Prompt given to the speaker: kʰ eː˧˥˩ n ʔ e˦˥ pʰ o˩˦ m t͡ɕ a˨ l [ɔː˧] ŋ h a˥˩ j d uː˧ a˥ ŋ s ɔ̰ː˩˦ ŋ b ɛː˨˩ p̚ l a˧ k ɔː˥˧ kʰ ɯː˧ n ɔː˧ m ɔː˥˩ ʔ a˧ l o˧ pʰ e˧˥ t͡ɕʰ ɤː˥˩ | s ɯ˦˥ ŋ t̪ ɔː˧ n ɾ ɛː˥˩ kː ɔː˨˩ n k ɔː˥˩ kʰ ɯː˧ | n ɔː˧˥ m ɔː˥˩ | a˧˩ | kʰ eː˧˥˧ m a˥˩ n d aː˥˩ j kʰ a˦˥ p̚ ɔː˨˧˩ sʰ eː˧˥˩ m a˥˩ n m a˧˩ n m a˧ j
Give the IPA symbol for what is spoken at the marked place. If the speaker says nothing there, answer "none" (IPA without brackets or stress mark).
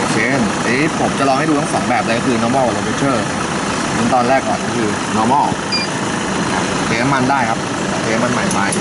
ɔː˧